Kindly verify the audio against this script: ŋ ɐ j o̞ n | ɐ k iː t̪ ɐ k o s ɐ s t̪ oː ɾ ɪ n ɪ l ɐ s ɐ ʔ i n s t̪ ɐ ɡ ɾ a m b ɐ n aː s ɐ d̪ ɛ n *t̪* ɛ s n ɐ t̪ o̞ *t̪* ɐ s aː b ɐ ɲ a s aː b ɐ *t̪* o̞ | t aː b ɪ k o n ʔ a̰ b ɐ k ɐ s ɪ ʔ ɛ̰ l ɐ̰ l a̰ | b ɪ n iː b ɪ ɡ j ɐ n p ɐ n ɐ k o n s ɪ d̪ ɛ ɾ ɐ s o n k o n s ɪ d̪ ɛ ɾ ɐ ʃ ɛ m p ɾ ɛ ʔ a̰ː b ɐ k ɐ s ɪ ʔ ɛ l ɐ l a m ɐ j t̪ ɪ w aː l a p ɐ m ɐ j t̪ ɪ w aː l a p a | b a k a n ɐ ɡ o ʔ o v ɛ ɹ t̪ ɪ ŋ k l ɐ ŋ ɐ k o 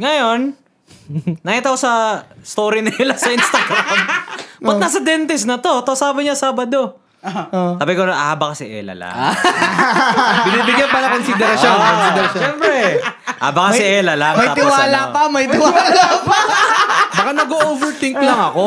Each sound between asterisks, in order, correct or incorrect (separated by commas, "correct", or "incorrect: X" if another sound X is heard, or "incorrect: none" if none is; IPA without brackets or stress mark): correct, correct, incorrect: d̪